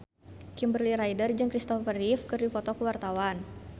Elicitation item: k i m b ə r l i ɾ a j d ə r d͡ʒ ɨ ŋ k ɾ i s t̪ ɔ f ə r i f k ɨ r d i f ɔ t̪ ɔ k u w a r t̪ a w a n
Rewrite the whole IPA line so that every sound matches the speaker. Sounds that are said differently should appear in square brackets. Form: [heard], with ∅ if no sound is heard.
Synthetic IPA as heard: k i m b ə r l i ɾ a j d ə r d͡ʒ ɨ ŋ k ɾ i s t̪ ɔ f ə r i f k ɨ r d i f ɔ t̪ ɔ k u w a r t̪ a w a n